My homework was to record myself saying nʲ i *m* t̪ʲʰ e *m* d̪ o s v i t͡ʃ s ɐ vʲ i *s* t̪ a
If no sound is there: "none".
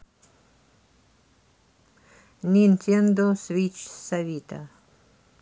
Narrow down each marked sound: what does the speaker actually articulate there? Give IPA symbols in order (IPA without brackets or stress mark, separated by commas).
n, n, none